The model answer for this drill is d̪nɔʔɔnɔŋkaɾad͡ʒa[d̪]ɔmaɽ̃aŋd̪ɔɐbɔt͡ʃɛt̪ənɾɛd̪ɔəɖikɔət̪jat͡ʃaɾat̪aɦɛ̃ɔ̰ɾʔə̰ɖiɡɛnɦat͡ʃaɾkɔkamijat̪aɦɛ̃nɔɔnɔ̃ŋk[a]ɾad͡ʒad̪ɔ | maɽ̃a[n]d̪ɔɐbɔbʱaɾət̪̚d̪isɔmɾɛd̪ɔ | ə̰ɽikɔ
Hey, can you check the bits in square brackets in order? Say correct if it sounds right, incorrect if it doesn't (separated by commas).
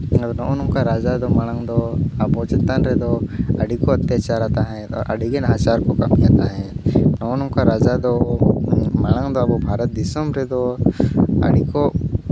correct, correct, incorrect